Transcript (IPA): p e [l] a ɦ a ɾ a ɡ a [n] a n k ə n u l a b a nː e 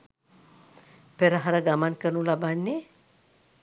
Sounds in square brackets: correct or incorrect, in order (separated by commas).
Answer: incorrect, incorrect